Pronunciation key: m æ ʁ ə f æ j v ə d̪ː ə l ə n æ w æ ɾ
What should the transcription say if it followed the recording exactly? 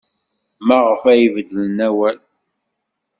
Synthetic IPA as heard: m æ ʁ ə f æ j v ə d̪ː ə l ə n æ w æ l